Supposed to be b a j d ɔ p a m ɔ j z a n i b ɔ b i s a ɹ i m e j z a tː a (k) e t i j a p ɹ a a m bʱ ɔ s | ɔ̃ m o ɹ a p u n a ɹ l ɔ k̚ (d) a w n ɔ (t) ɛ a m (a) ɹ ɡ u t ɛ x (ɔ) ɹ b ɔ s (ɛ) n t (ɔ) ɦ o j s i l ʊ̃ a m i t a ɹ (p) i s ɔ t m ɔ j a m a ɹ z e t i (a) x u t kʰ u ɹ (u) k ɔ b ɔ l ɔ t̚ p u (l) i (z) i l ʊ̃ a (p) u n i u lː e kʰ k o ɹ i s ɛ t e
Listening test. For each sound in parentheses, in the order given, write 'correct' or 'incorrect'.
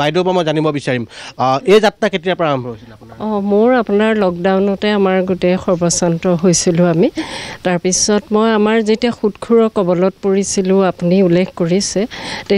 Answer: correct, correct, correct, correct, correct, incorrect, correct, correct, correct, incorrect, incorrect, incorrect, correct

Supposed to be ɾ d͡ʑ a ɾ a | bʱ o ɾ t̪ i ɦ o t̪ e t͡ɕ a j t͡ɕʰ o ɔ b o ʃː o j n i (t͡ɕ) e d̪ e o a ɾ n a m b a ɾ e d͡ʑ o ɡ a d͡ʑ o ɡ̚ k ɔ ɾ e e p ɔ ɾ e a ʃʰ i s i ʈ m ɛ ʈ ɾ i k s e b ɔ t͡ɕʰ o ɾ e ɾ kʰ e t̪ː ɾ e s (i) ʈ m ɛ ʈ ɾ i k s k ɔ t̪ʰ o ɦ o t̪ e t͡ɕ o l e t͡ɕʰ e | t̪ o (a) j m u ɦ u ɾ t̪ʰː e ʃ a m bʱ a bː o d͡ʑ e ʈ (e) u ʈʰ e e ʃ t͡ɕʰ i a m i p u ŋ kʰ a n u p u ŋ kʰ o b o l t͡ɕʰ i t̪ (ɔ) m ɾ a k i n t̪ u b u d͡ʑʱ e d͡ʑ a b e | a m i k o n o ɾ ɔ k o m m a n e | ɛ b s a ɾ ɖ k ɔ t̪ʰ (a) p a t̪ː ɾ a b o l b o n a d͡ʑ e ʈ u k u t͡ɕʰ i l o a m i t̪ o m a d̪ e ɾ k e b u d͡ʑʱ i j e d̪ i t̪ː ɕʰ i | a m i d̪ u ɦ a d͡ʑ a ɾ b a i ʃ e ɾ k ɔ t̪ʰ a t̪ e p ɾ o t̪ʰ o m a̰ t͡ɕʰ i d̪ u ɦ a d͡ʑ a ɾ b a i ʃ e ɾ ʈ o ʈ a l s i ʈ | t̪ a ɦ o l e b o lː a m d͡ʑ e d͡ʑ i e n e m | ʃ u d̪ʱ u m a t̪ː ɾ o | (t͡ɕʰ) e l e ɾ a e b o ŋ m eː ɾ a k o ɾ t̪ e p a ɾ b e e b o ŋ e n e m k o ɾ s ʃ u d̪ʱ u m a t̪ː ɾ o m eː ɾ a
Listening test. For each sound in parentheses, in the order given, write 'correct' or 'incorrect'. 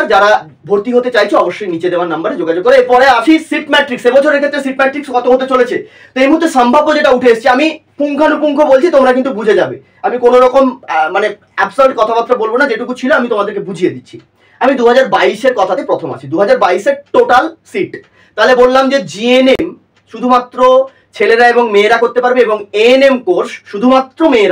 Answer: correct, correct, incorrect, incorrect, incorrect, correct, correct

